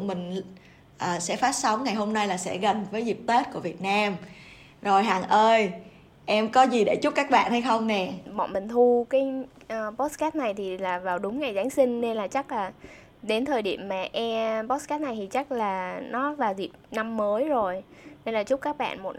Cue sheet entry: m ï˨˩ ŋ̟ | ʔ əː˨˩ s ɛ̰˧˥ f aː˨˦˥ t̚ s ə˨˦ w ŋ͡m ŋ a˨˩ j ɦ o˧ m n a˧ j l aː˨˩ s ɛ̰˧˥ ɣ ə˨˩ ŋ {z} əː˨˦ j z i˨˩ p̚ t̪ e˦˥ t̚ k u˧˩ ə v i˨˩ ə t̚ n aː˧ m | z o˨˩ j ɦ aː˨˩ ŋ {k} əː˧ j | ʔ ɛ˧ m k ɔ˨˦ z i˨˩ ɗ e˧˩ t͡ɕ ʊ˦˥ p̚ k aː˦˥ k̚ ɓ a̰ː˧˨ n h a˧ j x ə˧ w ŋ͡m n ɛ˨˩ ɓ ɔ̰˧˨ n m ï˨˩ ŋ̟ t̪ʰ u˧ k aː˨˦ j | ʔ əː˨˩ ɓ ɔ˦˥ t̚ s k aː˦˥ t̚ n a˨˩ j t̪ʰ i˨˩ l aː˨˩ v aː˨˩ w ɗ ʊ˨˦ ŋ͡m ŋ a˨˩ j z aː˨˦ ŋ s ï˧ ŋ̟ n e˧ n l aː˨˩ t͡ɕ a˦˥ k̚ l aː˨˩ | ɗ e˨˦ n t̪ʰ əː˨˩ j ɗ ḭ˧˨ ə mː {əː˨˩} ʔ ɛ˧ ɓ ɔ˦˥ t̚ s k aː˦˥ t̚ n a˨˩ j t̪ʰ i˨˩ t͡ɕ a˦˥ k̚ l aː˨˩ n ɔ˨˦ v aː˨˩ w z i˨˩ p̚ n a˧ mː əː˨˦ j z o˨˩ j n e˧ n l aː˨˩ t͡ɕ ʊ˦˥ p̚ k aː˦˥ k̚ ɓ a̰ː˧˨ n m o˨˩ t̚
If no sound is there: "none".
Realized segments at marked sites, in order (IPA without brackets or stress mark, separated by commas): v, ʔ, aː˨˩